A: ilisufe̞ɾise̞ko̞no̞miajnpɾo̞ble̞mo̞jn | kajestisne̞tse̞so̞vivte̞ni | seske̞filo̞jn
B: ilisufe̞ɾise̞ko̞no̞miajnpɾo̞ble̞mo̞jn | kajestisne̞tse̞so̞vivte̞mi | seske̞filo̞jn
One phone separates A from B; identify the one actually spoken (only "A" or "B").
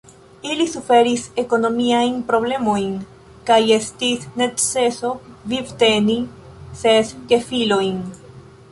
A